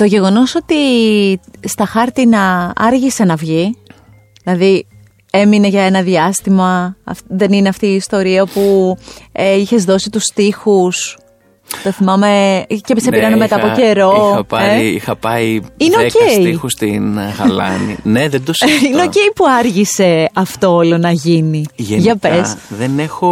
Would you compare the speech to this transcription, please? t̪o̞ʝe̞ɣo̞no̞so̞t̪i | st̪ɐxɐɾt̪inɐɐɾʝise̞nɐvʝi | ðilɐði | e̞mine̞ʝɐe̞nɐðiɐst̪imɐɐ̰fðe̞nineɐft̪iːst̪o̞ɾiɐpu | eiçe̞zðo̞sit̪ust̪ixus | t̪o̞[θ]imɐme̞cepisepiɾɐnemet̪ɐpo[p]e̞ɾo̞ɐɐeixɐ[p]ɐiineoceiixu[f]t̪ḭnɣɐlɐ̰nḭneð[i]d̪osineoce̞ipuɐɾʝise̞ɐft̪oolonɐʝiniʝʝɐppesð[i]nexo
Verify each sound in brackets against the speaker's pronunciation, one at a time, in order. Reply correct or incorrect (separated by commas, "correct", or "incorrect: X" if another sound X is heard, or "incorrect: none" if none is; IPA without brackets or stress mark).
correct, incorrect: c, correct, incorrect: s, incorrect: e, incorrect: e